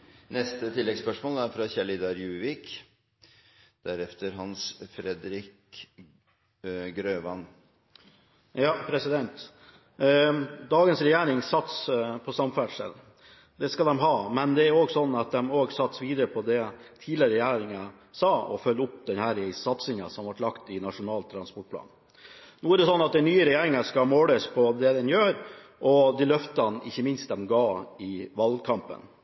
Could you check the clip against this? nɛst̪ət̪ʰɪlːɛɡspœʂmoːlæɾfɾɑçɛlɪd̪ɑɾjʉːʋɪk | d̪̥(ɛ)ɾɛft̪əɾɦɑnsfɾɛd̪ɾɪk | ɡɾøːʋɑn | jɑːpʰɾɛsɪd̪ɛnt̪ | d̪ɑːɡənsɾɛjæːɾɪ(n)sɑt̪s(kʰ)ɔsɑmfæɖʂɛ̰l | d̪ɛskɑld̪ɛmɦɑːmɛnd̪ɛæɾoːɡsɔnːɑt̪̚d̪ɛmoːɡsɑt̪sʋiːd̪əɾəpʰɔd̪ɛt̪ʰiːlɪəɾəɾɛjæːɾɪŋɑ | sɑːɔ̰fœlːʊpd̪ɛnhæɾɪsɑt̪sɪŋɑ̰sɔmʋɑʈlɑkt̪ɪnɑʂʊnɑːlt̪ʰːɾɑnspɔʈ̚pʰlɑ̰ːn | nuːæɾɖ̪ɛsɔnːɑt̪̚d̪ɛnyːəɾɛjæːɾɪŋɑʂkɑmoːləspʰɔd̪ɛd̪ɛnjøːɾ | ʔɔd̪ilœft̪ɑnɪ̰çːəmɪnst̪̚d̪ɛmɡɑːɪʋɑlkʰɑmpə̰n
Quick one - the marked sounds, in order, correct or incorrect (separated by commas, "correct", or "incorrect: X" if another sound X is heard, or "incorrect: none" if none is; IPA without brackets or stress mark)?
incorrect: æ, incorrect: ŋ, incorrect: pʰ